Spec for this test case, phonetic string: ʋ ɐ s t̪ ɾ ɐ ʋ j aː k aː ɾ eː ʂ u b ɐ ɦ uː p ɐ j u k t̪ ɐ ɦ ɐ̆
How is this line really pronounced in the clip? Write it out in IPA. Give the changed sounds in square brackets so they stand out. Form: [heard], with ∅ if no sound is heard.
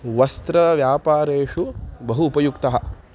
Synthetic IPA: ʋ ɐ s t̪ ɾ ɐ ʋ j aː [p] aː ɾ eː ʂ u b ɐ ɦ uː p ɐ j u k t̪ ɐ ɦ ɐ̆